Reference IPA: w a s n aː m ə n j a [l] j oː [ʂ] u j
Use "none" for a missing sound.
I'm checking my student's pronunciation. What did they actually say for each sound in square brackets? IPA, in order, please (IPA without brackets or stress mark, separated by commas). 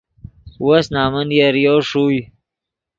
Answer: ɾ, ʂ